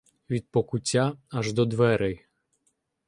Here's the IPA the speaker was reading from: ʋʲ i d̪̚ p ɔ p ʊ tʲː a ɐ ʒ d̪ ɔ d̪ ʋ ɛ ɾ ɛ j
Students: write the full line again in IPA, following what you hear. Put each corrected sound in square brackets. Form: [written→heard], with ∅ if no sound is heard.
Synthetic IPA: ʋʲ i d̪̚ p ɔ [p→k] ʊ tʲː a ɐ ʒ d̪ ɔ d̪ ʋ ɛ ɾ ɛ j